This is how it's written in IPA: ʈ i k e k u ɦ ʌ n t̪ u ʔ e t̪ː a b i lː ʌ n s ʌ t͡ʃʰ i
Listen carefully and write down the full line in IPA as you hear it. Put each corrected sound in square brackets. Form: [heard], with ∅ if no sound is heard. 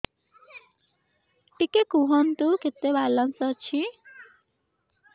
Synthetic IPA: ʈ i k e k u ɦ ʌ n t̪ u [k] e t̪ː [e] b [a] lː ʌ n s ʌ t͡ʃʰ i